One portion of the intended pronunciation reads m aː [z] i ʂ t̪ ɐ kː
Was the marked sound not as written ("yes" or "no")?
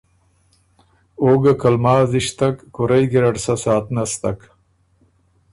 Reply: no